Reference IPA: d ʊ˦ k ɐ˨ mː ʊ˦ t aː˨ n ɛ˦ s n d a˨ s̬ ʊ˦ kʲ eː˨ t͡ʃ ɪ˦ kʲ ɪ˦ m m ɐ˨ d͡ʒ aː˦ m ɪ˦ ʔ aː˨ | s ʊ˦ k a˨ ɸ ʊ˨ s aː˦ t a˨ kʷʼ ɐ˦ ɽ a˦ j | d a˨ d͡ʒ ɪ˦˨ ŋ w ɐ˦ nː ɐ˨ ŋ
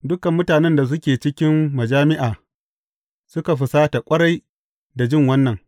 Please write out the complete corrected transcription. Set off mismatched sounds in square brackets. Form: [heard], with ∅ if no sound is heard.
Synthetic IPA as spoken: d ʊ˦ k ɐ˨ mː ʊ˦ t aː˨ n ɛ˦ [∅] n d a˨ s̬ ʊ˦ kʲ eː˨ t͡ʃ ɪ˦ kʲ ɪ˦ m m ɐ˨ d͡ʒ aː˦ m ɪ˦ ʔ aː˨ | s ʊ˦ k a˨ ɸ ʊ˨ s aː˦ t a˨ kʷʼ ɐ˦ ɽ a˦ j | d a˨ d͡ʒ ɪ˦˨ ŋ w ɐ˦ nː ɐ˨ ŋ